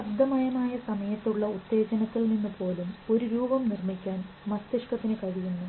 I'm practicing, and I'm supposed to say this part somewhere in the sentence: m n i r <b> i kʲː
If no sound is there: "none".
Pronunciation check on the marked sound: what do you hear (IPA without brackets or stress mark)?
m